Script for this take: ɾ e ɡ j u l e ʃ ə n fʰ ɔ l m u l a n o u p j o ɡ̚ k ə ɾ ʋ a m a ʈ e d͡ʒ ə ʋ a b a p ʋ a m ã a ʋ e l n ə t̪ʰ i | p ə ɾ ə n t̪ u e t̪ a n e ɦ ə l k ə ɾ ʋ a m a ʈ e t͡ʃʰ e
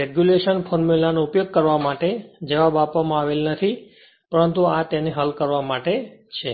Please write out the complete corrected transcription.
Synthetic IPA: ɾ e ɡ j u l e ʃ ə n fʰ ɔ ɾ m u l a n o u p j o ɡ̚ k ə ɾ ʋ a m a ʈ e d͡ʒ ə ʋ a b a p ʋ a m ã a ʋ e l n ə t̪ʰ i | p ə ɾ ə n t̪ u a t̪ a n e ɦ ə l k ə ɾ ʋ a m a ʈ e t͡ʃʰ e